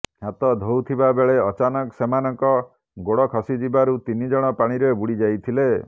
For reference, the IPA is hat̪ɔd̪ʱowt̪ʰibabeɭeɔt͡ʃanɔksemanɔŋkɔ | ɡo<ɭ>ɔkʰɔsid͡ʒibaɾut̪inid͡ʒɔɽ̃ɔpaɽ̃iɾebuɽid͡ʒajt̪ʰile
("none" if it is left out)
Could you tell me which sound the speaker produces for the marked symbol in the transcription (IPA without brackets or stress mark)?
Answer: ɽ